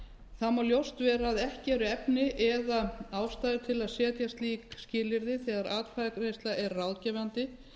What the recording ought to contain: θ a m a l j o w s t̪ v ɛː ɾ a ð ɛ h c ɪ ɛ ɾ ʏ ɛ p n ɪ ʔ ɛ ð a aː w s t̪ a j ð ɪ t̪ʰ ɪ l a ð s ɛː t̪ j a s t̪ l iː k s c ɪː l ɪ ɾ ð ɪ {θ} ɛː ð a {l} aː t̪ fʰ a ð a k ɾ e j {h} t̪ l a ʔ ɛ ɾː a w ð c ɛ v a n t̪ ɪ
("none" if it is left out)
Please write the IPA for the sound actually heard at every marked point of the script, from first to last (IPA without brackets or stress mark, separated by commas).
θ, ɾ, s